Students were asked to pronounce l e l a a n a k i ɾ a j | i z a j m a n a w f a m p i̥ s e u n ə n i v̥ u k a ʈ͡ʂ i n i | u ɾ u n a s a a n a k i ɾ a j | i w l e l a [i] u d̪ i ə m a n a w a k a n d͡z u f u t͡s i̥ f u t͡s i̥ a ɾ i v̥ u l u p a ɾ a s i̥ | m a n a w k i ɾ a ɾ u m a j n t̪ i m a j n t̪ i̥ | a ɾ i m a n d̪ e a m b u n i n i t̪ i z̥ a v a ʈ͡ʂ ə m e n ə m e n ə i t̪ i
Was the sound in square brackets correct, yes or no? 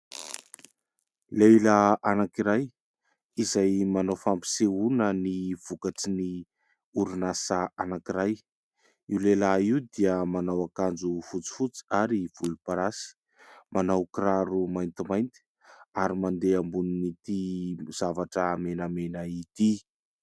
yes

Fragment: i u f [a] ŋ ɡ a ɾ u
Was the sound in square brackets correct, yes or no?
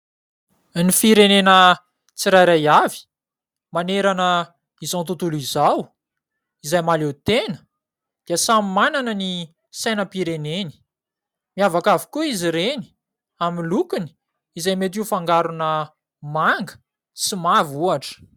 yes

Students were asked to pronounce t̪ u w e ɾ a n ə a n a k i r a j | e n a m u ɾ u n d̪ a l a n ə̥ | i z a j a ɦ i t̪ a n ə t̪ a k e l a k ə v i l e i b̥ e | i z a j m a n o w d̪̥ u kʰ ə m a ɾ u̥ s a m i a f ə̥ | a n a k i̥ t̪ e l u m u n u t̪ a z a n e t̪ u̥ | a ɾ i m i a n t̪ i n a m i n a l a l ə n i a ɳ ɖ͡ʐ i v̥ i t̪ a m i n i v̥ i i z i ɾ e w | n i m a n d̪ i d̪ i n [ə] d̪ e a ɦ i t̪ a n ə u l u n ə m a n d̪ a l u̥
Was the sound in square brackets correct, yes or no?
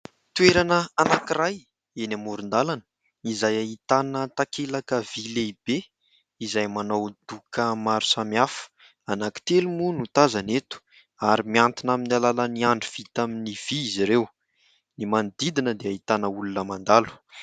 yes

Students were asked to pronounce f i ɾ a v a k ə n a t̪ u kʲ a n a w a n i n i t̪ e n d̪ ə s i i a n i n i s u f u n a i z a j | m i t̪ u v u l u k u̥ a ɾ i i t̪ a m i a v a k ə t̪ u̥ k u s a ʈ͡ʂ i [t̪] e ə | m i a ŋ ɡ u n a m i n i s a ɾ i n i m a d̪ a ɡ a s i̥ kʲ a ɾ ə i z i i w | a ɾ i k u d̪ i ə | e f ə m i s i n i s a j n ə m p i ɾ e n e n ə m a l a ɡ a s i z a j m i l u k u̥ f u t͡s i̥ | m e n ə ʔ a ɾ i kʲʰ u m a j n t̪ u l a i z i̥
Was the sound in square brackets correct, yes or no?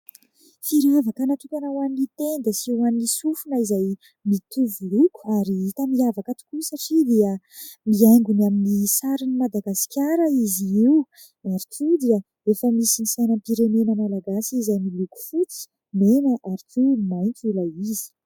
no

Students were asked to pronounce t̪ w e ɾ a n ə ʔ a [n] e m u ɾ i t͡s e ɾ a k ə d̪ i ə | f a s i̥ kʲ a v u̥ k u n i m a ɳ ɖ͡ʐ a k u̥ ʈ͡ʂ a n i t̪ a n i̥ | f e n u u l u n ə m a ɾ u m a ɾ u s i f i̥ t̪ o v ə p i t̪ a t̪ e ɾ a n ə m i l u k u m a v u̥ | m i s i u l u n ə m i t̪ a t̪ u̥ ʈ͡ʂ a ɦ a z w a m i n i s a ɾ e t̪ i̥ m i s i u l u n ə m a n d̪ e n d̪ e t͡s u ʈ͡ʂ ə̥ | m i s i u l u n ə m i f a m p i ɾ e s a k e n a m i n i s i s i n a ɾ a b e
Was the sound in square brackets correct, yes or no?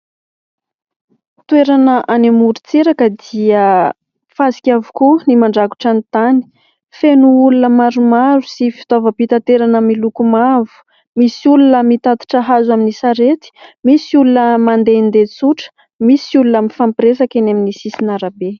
yes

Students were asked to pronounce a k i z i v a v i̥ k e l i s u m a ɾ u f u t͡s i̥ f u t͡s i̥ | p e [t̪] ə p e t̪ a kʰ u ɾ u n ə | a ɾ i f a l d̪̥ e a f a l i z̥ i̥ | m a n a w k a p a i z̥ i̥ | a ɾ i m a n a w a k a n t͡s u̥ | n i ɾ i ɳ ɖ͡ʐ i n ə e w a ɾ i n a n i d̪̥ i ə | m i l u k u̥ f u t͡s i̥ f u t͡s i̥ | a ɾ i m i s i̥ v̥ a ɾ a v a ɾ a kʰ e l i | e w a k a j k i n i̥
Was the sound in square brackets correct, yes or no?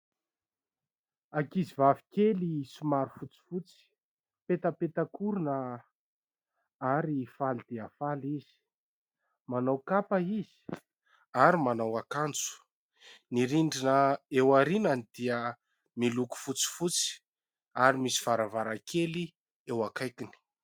yes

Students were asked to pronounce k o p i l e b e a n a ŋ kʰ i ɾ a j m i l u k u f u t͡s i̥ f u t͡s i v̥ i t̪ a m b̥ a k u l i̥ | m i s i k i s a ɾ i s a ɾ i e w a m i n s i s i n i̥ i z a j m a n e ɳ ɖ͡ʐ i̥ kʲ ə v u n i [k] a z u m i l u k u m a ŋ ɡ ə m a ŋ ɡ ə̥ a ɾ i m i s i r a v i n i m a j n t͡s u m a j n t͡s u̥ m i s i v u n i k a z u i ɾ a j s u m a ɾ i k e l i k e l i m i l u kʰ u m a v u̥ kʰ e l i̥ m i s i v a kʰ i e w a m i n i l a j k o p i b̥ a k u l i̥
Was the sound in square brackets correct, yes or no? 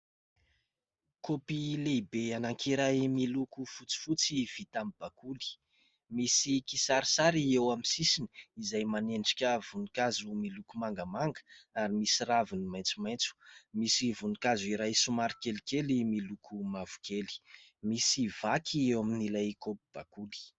yes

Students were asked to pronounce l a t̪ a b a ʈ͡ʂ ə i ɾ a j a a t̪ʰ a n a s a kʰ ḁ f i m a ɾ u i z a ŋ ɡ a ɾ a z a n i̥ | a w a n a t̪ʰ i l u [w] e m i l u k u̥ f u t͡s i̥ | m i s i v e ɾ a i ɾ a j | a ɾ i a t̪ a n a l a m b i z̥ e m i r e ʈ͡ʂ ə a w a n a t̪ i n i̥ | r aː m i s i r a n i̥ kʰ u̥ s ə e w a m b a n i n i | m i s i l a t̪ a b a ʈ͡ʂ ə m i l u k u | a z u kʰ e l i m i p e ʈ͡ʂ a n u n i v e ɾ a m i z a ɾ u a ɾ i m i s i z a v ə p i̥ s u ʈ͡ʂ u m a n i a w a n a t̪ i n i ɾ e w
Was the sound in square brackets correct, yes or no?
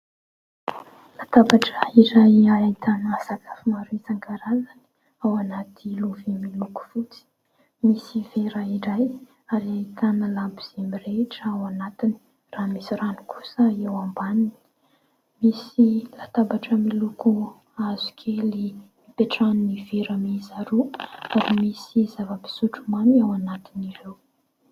no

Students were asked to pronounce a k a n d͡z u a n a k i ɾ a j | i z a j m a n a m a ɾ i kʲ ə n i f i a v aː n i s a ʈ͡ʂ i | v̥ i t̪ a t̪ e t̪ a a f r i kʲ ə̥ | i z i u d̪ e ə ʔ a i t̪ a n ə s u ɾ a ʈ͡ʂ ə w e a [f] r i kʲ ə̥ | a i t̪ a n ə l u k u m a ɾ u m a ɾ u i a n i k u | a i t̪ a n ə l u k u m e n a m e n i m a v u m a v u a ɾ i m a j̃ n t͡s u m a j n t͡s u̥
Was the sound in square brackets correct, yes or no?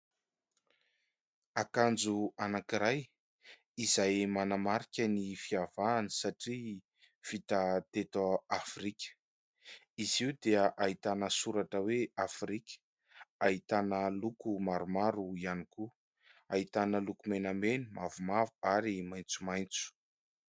yes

